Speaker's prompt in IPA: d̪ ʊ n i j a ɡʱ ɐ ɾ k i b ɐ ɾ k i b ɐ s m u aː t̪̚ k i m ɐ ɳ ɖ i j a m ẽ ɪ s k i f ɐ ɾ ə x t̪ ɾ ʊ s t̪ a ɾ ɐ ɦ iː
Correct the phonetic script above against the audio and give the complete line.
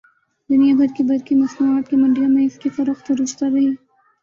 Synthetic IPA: d̪ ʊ n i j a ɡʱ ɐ ɾ k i b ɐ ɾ k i m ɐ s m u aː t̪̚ k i m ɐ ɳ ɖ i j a m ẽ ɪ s k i f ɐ ɾ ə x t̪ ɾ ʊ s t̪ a ɾ ɐ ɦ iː